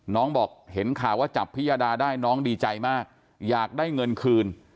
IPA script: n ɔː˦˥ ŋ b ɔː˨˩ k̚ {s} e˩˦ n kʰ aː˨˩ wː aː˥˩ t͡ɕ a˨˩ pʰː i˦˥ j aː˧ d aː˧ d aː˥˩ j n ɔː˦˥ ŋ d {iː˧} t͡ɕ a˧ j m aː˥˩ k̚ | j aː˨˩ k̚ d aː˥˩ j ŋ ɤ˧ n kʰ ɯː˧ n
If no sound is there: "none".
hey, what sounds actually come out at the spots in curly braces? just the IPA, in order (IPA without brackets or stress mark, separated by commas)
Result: h, iː˧